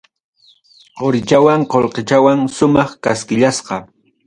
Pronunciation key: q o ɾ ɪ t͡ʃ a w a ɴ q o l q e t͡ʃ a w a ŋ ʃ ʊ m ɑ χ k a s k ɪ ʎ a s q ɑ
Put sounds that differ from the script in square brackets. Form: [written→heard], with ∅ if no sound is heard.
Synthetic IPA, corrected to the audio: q o ɾ ɪ t͡ʃ a w a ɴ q o l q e t͡ʃ a w a ŋ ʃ ʊ m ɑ χ k a s k ɪ ʎ a s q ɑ